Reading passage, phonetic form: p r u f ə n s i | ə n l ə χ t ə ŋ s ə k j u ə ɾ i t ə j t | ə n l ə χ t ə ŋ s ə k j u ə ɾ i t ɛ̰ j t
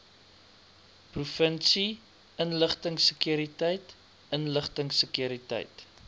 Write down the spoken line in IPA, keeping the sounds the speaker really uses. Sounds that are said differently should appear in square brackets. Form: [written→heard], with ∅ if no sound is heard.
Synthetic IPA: p r u f ə n s i | ə n l ə χ t ə ŋ s ə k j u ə ɾ i t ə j t | ə n l ə χ t ə ŋ s ə k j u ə ɾ i t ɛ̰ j t